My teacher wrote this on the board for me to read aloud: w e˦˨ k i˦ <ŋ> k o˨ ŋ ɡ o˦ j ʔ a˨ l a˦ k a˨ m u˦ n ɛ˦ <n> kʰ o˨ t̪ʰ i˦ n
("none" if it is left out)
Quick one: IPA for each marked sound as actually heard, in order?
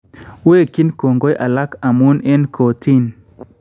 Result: n, n

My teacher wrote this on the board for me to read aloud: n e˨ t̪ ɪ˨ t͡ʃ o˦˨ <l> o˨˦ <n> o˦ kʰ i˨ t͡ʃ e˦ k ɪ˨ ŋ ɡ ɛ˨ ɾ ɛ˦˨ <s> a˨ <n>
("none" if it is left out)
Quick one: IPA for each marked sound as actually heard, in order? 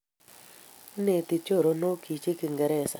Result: ɾ, n, s, none

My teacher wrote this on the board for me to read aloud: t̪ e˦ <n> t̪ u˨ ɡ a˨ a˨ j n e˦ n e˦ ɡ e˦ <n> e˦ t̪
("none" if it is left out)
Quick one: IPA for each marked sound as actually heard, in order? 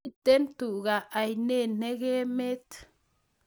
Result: n, m

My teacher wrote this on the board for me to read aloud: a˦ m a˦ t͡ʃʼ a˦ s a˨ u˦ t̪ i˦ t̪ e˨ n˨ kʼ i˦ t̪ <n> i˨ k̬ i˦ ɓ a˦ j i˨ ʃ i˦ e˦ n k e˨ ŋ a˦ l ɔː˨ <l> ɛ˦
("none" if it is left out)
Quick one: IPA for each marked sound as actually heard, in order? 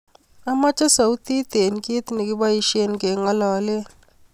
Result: n, l

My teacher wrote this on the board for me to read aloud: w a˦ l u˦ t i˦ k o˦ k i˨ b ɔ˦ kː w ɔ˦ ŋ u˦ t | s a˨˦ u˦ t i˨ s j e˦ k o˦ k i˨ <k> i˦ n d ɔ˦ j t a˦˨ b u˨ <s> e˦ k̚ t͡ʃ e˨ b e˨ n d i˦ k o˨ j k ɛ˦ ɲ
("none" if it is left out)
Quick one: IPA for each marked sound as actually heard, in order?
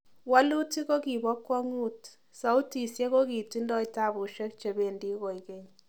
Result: t, ʃ

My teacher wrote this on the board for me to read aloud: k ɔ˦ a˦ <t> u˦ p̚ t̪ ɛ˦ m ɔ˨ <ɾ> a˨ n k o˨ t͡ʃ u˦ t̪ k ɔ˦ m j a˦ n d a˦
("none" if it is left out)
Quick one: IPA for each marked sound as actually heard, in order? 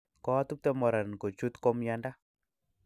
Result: t, ɾ

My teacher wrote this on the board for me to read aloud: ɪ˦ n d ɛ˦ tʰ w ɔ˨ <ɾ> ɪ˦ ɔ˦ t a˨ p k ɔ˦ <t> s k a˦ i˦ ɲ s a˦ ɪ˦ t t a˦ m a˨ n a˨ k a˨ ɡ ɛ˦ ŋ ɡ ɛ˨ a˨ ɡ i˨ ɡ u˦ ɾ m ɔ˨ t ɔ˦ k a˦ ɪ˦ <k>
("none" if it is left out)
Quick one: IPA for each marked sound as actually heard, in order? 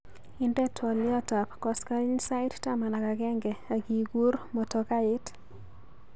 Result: l, none, t

